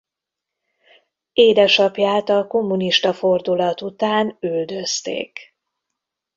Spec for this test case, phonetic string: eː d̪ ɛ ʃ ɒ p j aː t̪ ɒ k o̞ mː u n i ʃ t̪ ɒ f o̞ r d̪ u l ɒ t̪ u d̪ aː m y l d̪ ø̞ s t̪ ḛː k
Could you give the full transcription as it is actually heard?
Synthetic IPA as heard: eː d̪ ɛ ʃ ɒ p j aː t̪ ɒ k o̞ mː u n i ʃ t̪ ɒ f o̞ r d̪ u l ɒ t̪ u t̪ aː n y l d̪ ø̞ s t̪ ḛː k